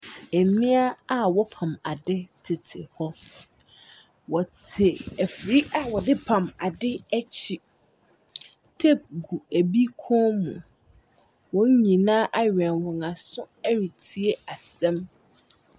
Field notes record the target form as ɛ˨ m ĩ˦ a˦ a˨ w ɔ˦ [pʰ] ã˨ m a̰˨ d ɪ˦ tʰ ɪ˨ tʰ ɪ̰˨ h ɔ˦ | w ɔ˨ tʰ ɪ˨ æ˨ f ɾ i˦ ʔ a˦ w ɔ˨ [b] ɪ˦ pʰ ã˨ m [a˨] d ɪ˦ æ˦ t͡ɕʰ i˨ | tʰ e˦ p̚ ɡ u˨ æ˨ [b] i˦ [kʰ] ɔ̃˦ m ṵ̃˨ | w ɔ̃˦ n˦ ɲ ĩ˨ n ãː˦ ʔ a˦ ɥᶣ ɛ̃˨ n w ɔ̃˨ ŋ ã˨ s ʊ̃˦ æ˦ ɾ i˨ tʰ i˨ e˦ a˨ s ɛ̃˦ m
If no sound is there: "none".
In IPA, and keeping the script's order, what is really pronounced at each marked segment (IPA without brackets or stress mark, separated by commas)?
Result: pʰ, d, a˨, b, kʰ